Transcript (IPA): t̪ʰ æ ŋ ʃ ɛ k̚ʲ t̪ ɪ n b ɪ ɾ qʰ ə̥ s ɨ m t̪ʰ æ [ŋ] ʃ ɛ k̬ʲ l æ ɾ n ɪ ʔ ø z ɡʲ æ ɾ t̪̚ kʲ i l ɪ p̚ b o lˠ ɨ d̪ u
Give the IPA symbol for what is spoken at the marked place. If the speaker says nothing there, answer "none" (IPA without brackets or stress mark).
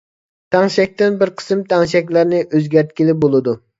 ŋ